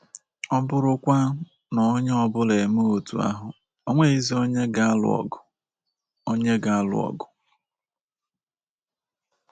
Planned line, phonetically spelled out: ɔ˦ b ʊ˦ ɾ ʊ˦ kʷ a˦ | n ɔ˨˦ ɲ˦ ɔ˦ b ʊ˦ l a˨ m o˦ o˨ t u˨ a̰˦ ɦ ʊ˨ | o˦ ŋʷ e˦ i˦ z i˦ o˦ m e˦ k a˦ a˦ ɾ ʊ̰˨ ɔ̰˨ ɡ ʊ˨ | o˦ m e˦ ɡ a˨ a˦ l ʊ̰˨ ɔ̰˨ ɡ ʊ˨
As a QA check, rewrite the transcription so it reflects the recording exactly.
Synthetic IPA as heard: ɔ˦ b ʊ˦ ɾ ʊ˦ kʷ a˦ | n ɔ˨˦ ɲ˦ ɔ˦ b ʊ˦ l e˨ m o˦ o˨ t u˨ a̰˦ ɦ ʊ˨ | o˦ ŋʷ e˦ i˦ z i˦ o˦ ɲ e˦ ɡ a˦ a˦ l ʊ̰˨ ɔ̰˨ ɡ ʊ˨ | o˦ ɲ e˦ ɡ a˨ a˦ l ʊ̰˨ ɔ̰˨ ɡ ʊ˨